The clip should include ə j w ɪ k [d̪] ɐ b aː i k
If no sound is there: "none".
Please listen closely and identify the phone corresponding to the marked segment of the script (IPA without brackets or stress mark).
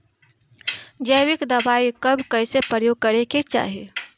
d̪